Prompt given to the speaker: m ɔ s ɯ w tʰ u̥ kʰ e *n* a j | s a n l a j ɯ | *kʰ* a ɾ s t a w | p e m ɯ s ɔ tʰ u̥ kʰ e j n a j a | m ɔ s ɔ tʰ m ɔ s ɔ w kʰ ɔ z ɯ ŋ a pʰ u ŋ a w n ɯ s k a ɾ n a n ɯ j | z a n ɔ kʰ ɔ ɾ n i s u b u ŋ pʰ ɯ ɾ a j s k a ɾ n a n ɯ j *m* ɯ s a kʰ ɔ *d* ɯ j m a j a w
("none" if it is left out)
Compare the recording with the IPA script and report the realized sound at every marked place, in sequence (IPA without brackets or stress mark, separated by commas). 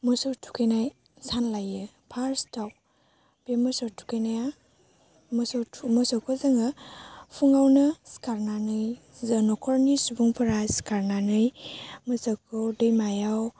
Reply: n, pʰ, m, d